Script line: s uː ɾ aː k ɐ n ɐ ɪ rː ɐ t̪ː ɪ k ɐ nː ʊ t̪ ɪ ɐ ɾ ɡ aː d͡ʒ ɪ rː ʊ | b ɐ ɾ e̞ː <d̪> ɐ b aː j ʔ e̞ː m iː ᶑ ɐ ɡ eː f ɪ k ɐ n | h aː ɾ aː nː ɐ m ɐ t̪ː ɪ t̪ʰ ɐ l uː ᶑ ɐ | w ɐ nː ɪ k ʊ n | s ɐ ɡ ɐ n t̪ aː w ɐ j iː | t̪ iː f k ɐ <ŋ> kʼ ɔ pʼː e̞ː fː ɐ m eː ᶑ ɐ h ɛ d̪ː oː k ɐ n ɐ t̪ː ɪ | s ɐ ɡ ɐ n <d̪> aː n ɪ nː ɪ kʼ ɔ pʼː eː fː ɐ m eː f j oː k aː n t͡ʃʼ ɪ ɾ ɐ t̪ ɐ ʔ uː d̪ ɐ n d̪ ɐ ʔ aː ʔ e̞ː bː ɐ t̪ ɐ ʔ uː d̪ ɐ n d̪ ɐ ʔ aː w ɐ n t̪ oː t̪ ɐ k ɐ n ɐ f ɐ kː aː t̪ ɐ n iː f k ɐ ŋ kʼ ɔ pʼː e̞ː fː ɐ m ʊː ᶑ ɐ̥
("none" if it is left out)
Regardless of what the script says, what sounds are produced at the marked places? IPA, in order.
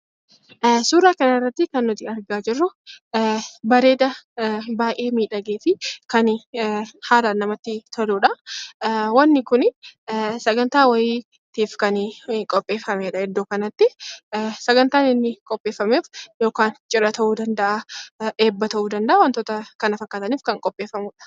d̪, n, t̪

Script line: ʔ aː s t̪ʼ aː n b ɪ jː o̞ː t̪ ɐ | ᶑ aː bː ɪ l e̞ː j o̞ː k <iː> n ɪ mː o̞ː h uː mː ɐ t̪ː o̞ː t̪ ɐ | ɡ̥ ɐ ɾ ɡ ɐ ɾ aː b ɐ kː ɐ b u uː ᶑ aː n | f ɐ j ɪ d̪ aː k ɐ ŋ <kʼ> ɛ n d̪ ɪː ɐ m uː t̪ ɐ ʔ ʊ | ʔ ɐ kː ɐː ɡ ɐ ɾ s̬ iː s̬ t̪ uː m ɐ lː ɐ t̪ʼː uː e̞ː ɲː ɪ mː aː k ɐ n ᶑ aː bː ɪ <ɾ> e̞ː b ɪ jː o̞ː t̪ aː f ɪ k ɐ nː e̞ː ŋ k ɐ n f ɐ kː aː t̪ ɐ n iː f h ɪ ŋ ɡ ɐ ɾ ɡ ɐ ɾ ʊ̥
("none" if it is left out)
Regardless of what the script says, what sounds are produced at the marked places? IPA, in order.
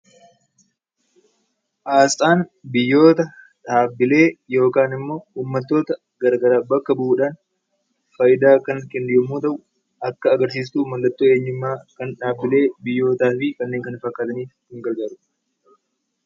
aː, k, l

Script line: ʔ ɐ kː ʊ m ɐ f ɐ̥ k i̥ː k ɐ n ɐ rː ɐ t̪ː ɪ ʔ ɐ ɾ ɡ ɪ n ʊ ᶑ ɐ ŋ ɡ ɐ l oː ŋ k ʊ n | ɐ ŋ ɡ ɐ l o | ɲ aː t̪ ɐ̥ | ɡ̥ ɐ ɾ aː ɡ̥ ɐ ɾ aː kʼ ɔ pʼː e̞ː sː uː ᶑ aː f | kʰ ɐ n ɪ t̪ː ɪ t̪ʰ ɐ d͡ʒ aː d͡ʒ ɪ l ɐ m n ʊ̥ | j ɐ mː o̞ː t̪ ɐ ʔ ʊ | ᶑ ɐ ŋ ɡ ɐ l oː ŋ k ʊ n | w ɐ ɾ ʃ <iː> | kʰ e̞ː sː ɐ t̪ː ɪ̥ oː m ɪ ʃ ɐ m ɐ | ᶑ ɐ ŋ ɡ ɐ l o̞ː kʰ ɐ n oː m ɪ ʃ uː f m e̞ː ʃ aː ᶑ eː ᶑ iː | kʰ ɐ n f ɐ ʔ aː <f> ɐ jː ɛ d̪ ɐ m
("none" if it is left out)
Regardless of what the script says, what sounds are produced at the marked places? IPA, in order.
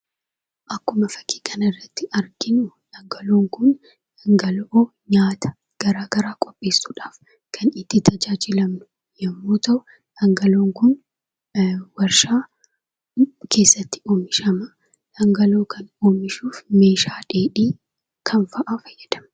aː, f

